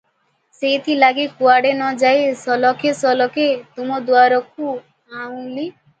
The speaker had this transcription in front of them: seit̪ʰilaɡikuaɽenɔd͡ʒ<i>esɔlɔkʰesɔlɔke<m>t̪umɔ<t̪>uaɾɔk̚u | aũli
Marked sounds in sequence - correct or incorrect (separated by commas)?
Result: incorrect, incorrect, incorrect